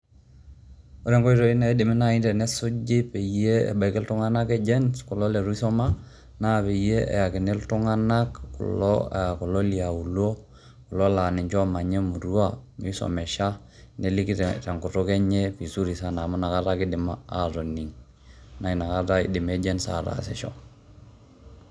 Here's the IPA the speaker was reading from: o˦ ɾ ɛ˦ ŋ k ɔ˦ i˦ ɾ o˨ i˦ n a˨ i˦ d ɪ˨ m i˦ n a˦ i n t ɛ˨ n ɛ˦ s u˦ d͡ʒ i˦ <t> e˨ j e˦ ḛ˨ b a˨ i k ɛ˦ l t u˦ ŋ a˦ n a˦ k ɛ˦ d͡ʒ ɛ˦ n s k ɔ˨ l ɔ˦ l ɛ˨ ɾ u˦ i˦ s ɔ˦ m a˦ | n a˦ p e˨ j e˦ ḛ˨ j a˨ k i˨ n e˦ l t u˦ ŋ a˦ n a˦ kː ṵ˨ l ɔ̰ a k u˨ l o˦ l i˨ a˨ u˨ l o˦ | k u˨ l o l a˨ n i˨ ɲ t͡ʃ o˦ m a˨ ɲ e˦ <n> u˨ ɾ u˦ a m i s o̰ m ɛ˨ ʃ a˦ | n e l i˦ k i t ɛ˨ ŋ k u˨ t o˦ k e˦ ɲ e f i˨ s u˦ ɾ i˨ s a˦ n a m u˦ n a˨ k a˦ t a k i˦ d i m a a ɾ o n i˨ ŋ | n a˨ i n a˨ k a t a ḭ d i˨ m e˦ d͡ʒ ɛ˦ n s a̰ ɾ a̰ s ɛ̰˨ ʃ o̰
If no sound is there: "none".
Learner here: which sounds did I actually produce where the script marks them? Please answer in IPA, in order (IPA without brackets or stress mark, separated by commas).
p, m